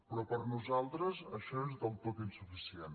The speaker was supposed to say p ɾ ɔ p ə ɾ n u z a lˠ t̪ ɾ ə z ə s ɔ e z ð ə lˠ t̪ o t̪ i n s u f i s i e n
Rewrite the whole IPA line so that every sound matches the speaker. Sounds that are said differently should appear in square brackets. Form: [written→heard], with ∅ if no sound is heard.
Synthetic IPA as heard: p ɾ ɔ p ə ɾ n u z a lˠ t̪ ɾ ə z ə [s→ʃ] ɔ e z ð ə lˠ t̪ o t̪ i n s u f i s i e n